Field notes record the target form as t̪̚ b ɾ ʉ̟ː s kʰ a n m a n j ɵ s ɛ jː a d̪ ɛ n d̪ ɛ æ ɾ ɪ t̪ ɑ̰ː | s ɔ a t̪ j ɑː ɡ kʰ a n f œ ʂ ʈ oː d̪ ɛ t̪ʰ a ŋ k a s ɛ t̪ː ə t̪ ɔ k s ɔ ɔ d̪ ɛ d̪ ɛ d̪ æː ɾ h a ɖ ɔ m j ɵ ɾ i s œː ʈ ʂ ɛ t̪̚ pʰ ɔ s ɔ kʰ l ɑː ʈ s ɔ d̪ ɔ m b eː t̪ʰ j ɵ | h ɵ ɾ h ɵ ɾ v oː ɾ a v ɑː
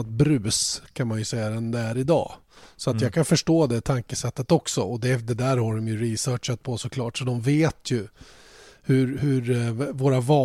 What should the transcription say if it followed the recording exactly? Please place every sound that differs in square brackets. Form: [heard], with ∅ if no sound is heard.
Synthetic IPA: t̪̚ b ɾ ʉ̟ː s kʰ a n m a n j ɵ s ɛ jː a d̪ ɛ n d̪ ɛ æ ɾ ɪ [d̪] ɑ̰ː | s ɔ a t̪ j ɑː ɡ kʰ a n f œ ʂ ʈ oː d̪ ɛ t̪ʰ a ŋ k [ə] s ɛ t̪ː ə t̪ ɔ k s ɔ ɔ d̪ ɛ d̪ ɛ d̪ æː ɾ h a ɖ ɔ m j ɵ ɾ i s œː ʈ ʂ [a] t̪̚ pʰ ɔ s ɔ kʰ l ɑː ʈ s ɔ d̪ ɔ m [v] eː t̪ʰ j ɵ | h ɵ ɾ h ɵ ɾ v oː ɾ a v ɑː